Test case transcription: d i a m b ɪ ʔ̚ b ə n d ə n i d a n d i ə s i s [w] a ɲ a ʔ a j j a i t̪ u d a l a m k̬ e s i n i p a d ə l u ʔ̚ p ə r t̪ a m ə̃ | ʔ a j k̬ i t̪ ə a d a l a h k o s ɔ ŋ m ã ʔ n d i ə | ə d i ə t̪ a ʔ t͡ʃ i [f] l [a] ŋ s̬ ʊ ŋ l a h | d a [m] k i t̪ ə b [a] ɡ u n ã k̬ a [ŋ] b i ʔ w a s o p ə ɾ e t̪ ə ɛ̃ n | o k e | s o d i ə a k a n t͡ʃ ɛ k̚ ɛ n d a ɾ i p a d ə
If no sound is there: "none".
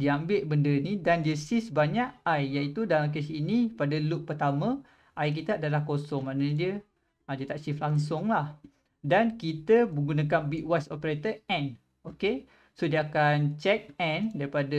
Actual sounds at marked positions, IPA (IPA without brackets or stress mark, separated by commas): b, f, a, n, ə, n